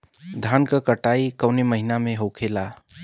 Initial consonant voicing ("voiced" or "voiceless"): voiced